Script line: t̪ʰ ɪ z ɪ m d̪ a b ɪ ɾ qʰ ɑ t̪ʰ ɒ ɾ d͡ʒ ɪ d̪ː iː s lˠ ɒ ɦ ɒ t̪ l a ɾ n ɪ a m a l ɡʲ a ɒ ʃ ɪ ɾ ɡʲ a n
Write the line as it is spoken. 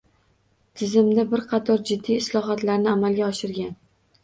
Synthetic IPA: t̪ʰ ɪ z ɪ m d̪ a b ɪ ɾ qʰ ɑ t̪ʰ ɒ ɾ d͡ʒ ɪ d̪ː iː s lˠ ɒ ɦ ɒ t̪ l a ɾ n ɪ a m a l ɡʲ a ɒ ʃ ɪ ɾ ɡʲ a n

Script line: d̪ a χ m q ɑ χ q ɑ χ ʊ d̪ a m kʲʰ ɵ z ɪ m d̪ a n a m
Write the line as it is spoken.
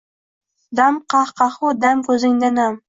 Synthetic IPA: d̪ a m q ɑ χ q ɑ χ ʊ d̪ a m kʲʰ ɵ z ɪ ŋ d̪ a n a m

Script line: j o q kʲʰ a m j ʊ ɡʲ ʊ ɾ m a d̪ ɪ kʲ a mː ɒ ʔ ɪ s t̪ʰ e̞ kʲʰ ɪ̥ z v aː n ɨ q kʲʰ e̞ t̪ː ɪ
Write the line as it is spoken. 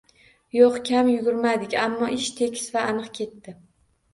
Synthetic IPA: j o q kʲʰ a m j ʊ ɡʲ ʊ ɾ m a d̪ ɪ kʲ a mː ɒ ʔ ɪ ʃ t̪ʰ e̞ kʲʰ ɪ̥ s v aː n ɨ q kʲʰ e̞ t̪ː ɪ

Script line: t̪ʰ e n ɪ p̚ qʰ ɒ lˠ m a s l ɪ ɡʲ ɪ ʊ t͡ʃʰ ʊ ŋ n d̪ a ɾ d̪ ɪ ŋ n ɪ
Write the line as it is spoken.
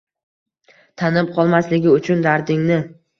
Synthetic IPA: t̪ʰ a n ɪ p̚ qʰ ɒ lˠ m a s l ɪ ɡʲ ɪ ʊ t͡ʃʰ ʊ n d̪ a ɾ d̪ ɪ ŋ n ɪ

